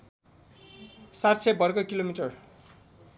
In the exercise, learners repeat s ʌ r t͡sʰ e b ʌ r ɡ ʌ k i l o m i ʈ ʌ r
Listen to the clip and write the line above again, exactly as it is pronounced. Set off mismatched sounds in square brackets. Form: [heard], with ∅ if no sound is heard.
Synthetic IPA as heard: s [a] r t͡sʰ e b ʌ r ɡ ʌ k i l o m i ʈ ʌ r